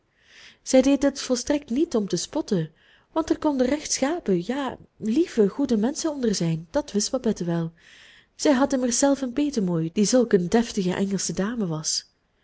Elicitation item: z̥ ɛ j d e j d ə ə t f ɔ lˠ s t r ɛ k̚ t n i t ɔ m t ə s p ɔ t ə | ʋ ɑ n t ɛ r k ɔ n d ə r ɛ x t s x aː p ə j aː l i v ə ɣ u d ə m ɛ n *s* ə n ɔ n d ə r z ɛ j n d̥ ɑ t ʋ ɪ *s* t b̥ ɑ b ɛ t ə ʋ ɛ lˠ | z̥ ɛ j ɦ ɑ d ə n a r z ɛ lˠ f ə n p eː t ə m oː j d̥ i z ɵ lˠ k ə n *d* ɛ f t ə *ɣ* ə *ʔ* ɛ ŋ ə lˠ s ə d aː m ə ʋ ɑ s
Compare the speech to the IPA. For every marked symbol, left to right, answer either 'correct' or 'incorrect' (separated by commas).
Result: correct, correct, correct, correct, correct